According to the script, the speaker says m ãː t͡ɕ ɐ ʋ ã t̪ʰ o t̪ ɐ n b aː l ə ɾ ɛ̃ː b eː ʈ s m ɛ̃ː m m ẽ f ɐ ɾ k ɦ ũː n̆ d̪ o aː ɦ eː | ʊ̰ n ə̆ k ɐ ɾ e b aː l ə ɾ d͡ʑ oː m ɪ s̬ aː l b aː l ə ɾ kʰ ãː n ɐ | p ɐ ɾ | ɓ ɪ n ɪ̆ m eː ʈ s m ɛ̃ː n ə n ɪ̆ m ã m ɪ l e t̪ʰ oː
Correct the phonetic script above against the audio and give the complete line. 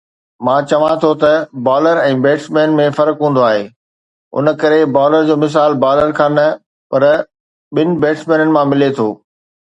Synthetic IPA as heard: m ãː t͡ɕ ɐ ʋ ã t̪ʰ o t̪ ɐ b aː l ə ɾ ɛ̃ː b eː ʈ s m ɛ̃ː n m ẽ f ɐ ɾ k ɦ ũː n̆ d̪ o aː ɦ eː | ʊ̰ n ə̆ k ɐ ɾ e b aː l ə ɾ d͡ʑ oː m ɪ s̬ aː l b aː l ə ɾ kʰ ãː n ɐ | p ɐ ɾ | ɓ ɪ n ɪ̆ b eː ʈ s m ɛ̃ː n ə n ɪ̆ m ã m ɪ l e t̪ʰ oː